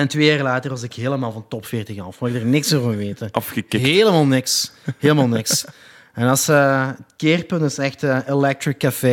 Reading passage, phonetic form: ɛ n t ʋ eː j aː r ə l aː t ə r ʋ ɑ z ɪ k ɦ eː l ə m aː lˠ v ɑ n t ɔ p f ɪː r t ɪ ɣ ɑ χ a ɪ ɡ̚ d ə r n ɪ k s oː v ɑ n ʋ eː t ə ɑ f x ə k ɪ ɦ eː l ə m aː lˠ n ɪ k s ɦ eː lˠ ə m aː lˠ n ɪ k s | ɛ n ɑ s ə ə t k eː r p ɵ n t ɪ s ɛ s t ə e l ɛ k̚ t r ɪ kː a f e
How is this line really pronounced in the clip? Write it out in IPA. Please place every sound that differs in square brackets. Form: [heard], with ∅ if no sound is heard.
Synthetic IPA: ɛ n t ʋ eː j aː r ə l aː t ə r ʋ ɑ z ɪ k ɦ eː l ə m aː lˠ v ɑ n t ɔ p f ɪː r t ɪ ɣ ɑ [f] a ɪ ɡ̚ d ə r n ɪ k s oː v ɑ n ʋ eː t ə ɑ f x ə k ɪ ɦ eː l ə m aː lˠ n ɪ k s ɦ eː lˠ ə m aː lˠ n ɪ k s | ɛ n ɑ s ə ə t k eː r p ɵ n t ɪ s ɛ [x] t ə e l ɛ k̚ t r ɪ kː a f e